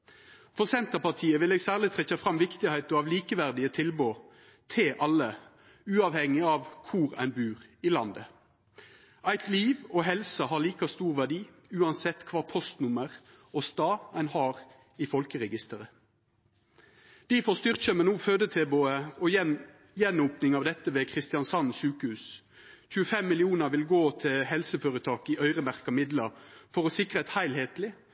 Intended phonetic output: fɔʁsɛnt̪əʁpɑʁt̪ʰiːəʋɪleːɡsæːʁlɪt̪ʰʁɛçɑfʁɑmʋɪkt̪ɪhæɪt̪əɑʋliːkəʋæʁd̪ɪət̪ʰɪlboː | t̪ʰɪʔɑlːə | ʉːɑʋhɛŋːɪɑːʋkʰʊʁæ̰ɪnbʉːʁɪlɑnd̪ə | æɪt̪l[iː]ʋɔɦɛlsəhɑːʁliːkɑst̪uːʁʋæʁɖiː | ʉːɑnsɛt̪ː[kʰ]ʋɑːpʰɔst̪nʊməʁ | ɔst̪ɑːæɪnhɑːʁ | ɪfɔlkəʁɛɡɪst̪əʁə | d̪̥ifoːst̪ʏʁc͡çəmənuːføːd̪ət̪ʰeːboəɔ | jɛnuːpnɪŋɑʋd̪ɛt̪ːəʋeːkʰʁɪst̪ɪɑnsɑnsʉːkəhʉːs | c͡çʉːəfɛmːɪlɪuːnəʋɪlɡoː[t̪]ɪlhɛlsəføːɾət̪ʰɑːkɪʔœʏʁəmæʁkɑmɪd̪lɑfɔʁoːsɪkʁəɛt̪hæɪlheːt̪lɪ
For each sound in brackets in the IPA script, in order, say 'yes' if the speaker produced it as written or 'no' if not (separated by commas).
yes, yes, no